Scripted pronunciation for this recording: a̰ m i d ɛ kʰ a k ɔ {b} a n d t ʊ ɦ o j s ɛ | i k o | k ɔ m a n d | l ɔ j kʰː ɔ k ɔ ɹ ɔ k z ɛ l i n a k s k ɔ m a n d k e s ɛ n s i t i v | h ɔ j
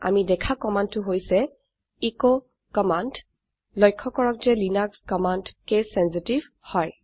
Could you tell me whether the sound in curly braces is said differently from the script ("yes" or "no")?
yes